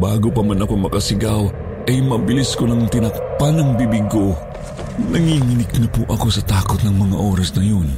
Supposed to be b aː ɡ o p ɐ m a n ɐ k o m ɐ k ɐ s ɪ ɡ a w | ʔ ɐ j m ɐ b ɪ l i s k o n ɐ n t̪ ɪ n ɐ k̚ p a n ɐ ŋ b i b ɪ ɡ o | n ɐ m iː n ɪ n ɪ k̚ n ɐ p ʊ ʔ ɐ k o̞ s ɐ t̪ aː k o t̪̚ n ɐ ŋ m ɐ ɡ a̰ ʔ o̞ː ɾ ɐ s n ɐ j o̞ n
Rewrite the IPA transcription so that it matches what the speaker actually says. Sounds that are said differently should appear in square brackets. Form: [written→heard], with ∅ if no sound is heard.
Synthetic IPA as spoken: b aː ɡ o p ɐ m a n ɐ k o m ɐ k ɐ s ɪ ɡ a w | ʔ ɐ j m ɐ b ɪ l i s k o n ɐ [n→ŋ] t̪ ɪ n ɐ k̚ p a n ɐ ŋ b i b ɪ ɡ o | n ɐ [m→ŋ] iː [n→ŋ] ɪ n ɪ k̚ n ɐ p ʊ ʔ ɐ k o̞ s ɐ t̪ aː k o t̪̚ n ɐ ŋ m ɐ [ɡ→ŋ] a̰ ʔ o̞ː ɾ ɐ s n ɐ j o̞ n